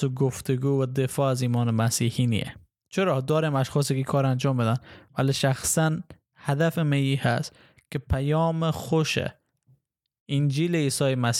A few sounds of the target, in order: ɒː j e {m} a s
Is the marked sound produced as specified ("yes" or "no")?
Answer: yes